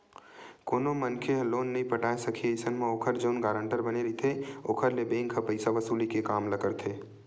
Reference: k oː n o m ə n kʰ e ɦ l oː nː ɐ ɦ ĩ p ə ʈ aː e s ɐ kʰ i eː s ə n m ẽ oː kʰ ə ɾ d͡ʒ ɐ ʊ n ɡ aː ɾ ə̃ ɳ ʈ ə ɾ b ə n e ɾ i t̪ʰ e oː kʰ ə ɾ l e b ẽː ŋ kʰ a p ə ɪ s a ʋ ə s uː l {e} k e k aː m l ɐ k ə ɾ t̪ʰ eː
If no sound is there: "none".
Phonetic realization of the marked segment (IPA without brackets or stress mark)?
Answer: i